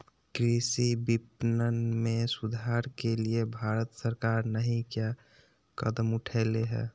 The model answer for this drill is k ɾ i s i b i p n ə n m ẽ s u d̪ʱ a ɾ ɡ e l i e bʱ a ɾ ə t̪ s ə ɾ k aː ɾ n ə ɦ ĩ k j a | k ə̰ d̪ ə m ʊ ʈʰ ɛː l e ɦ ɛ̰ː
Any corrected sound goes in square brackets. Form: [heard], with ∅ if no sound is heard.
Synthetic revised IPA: k ɾ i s i b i p n ə n m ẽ s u d̪ʱ a ɾ [k] e l i e bʱ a ɾ ə t̪ s ə ɾ k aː ɾ n ə ɦ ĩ k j a | k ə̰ d̪ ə m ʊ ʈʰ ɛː l e ɦ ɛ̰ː